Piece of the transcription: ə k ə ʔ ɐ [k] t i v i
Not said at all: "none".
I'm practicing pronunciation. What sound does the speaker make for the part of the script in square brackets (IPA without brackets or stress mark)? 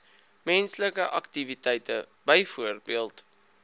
k